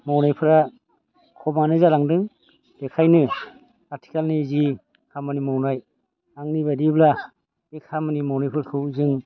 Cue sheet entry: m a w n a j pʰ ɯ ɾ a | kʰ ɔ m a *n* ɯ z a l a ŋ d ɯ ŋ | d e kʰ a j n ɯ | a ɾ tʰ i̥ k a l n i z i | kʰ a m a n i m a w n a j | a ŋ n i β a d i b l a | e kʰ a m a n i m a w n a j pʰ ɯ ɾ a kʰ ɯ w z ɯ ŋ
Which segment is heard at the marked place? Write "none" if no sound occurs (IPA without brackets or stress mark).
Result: n